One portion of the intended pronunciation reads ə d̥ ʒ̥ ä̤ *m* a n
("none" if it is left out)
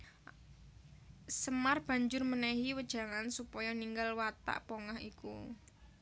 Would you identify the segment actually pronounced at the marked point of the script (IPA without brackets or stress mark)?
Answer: ŋ